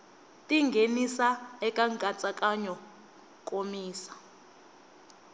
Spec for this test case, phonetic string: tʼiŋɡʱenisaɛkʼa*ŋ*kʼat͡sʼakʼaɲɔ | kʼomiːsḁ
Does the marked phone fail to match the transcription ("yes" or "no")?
no